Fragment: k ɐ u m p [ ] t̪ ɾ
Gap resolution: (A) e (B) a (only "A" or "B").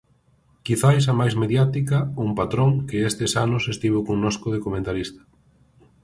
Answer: B